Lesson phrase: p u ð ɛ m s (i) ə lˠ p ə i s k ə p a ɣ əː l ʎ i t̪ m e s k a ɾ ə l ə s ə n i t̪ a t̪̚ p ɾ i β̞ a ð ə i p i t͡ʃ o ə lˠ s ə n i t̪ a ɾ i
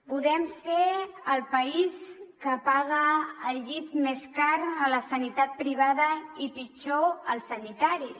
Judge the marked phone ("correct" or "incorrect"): incorrect